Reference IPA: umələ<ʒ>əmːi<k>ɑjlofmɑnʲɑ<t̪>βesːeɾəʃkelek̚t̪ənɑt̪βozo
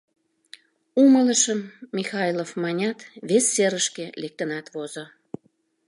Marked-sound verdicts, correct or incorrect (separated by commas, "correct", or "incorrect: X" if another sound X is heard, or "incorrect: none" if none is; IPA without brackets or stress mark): incorrect: ʃ, incorrect: x, correct